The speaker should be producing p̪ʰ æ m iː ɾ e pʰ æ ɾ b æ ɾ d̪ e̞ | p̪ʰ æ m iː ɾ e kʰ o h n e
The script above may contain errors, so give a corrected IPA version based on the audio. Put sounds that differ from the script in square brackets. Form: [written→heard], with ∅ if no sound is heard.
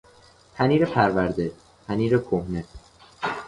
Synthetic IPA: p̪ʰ æ [m→n] iː ɾ e pʰ æ ɾ [b→v] æ ɾ d̪ e̞ | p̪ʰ æ [m→n] iː ɾ e kʰ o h n e